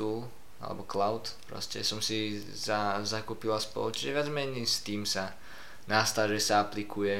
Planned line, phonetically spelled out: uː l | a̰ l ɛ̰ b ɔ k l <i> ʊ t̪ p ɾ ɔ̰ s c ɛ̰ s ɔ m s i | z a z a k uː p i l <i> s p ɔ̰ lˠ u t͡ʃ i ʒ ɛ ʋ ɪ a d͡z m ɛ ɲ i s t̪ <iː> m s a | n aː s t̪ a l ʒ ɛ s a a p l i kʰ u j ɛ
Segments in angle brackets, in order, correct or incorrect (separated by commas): incorrect, incorrect, correct